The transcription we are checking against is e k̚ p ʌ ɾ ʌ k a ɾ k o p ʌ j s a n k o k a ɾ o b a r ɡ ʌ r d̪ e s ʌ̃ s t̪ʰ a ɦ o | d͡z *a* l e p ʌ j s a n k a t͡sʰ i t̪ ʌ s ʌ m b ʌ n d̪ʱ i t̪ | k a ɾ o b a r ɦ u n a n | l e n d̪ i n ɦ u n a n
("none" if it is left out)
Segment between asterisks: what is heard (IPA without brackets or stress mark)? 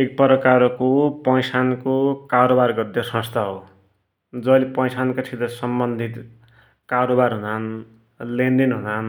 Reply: ʌ